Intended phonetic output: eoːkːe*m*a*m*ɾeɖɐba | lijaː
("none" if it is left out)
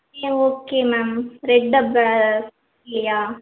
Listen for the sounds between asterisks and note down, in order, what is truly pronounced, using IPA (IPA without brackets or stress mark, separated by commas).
m, m